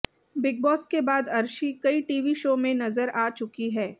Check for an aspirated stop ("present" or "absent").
absent